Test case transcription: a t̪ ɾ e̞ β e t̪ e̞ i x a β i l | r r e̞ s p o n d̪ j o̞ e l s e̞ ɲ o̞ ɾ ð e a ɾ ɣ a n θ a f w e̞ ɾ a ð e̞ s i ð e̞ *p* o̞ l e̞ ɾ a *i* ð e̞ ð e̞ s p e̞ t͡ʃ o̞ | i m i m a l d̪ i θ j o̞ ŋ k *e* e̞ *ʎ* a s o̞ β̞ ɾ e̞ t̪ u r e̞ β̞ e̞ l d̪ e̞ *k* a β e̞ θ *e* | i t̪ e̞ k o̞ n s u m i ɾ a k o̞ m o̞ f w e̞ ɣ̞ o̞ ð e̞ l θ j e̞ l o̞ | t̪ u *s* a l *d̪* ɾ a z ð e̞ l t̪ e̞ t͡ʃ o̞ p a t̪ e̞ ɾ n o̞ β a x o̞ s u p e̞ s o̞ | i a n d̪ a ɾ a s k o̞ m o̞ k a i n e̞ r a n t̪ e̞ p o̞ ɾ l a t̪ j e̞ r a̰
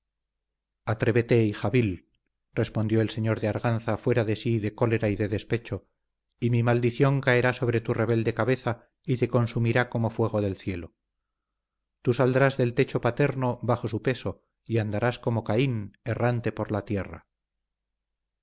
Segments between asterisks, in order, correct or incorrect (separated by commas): incorrect, correct, incorrect, incorrect, correct, incorrect, correct, correct